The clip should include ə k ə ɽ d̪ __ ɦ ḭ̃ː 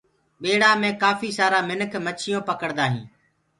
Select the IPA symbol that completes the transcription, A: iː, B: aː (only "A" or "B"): B